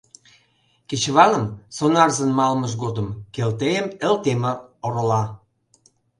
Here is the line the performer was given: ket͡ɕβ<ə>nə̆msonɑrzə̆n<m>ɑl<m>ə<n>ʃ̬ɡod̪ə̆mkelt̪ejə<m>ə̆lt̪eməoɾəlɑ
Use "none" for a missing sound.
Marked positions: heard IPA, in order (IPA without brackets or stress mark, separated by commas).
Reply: ɑ, m, m, none, m